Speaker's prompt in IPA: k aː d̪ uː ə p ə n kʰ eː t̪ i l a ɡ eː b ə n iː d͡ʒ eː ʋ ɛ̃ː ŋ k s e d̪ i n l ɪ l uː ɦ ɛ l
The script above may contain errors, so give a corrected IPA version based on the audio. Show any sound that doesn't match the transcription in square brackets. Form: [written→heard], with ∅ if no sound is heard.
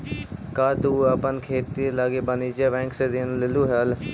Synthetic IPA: k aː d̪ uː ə p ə n kʰ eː t̪ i l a ɡ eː b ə n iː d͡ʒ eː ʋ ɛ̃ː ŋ k s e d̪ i n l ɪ l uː ɦ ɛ l